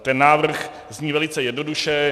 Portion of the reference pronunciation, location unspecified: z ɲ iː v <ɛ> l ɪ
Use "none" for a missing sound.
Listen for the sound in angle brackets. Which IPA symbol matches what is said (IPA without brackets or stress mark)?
ɛ